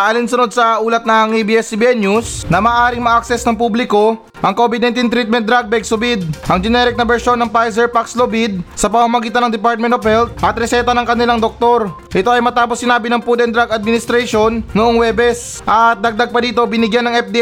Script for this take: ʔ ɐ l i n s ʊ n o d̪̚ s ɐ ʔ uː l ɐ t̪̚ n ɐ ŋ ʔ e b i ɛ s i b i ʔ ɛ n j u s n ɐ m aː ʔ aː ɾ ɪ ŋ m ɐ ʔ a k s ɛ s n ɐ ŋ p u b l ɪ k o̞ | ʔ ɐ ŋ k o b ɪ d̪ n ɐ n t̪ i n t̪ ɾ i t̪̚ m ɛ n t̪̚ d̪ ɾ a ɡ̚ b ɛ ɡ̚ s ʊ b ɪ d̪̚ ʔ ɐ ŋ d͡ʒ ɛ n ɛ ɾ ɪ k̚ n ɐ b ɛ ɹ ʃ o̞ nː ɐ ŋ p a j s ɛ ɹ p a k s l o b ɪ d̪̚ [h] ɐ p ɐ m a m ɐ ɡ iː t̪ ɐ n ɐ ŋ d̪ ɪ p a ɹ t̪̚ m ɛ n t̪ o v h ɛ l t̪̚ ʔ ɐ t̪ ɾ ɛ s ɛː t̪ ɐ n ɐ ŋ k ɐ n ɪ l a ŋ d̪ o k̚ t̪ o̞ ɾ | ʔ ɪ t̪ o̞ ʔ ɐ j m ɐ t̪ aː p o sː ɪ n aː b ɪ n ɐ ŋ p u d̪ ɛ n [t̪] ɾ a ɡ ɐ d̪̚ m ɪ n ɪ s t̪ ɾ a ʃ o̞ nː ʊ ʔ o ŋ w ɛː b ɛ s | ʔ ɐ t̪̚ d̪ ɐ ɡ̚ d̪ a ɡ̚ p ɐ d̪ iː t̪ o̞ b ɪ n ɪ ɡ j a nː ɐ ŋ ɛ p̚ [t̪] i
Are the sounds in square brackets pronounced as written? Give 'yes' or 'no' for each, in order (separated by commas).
no, no, no